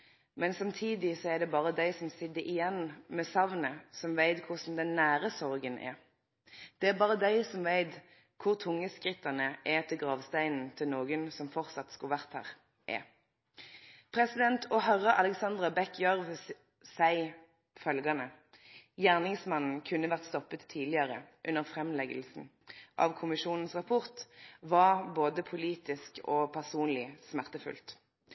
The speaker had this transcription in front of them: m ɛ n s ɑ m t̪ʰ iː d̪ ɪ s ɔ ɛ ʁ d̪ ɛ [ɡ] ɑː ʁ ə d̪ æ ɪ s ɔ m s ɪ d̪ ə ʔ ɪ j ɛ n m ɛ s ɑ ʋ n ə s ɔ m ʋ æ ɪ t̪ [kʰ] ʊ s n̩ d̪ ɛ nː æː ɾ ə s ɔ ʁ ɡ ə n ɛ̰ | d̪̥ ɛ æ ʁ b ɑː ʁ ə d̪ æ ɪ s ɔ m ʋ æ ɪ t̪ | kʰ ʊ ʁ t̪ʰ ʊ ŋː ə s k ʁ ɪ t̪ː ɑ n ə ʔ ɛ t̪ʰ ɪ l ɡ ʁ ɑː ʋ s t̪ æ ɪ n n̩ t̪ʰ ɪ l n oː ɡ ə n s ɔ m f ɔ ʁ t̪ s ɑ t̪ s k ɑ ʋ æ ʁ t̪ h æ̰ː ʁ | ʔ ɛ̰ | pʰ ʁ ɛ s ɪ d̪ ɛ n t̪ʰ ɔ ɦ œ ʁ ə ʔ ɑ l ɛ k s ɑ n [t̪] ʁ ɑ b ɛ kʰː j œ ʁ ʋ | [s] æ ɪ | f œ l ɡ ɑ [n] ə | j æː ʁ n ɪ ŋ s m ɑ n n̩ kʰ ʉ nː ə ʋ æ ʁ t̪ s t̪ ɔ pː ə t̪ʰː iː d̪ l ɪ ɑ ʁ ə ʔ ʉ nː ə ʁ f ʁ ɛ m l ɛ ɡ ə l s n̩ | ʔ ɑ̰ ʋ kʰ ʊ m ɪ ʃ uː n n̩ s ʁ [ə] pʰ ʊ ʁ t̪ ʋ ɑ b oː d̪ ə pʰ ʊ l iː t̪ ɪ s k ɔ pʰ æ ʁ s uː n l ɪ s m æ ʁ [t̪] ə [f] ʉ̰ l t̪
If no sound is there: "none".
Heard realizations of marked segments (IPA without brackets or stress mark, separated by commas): b, kʰ, d̪, s, n, ɑ, t̪, f